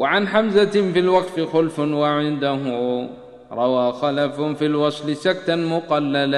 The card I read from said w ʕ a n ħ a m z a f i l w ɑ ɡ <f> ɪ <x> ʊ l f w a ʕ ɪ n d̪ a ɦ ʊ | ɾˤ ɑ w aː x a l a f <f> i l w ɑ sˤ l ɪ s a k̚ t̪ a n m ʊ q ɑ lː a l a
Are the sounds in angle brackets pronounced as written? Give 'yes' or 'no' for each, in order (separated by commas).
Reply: yes, yes, yes